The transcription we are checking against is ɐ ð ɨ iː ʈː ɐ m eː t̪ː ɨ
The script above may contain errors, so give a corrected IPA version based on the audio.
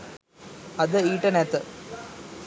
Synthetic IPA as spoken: ɐ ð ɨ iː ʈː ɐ n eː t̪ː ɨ